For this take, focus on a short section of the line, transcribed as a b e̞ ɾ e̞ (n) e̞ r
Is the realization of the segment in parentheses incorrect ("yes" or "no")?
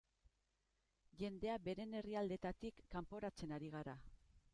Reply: no